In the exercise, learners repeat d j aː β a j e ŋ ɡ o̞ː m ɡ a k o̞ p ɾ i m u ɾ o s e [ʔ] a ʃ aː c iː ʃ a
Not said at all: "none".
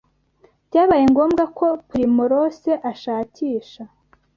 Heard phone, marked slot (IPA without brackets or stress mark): ʔ